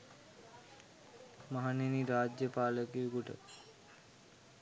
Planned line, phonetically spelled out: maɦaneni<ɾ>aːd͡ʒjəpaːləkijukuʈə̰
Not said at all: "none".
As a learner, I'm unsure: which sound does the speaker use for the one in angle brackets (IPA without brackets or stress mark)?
ɾ